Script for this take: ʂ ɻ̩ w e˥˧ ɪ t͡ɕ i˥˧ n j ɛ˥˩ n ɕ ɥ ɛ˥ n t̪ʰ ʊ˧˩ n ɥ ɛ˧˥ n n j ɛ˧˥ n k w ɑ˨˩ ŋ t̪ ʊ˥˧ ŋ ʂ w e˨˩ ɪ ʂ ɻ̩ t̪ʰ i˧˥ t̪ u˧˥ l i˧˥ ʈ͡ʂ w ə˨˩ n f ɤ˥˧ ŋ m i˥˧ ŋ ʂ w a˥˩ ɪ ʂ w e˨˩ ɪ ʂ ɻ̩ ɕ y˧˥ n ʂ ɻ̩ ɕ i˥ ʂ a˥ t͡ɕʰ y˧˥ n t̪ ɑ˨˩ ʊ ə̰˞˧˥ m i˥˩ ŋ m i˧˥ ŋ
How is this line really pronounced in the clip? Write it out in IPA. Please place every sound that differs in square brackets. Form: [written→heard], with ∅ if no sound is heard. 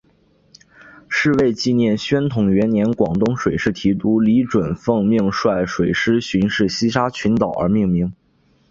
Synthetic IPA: ʂ ɻ̩ w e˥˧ ɪ t͡ɕ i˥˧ n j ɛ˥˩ n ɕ ɥ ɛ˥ n t̪ʰ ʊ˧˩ [n→ŋ] ɥ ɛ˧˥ n n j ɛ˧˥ n k w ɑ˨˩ ŋ t̪ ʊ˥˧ ŋ ʂ w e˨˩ ɪ ʂ ɻ̩ t̪ʰ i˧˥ t̪ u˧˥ l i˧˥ ʈ͡ʂ w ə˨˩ n f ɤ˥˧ ŋ m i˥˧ ŋ ʂ w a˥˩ ɪ ʂ w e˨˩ ɪ ʂ ɻ̩ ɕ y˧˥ n ʂ ɻ̩ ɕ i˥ ʂ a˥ t͡ɕʰ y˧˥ n t̪ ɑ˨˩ ʊ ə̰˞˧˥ m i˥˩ ŋ m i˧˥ ŋ